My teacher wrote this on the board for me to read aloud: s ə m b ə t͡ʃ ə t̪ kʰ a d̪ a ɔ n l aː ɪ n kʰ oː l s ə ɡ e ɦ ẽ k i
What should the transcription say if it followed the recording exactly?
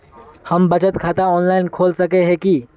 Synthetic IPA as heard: h ə m b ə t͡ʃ ə t̪ kʰ a t̪ a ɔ n l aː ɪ n kʰ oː l s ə k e ɦ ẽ k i